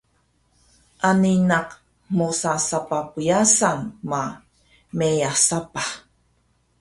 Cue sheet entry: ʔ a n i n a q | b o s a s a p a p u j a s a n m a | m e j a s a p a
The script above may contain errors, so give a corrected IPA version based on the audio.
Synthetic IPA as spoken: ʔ a n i n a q | m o s a s a p a p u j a s a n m a | m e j a s a p a

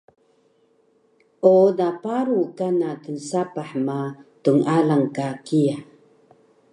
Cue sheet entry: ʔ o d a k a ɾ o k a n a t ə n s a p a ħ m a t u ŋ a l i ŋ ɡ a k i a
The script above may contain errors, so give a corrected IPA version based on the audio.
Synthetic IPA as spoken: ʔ o d a p a ɾ u k a n a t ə n s a p a ħ m a t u ŋ a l a ŋ k a k i a

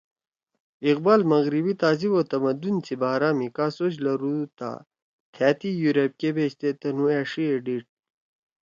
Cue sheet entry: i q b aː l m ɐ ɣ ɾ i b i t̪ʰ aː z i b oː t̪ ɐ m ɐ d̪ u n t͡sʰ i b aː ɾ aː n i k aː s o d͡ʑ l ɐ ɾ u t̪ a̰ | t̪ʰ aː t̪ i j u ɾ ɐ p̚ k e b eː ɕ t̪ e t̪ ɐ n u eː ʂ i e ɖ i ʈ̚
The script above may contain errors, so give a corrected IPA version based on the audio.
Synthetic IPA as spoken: i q b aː l m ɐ ɣ ɾ i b i t̪ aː z i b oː t̪ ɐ m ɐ d̪ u n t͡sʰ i b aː ɾ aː m i k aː s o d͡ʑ l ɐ ɾ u t̪ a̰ | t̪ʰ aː t̪ i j u ɾ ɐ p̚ k e b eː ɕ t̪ e t̪ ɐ n u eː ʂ i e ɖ i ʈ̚

